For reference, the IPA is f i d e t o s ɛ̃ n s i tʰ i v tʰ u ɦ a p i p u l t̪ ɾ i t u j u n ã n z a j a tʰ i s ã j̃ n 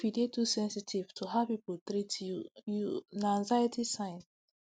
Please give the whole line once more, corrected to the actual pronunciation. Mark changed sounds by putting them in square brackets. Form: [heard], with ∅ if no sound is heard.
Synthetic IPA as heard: f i d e t [u] s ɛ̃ n s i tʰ i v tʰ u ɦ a p i p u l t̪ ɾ i t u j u n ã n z a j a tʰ i s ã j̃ n